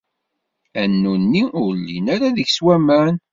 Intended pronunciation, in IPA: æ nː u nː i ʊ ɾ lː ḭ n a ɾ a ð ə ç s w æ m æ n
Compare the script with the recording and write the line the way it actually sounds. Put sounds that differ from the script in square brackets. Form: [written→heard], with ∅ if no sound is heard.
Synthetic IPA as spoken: æ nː u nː i ʊ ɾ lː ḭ n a ɾ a ð ə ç s w æ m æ n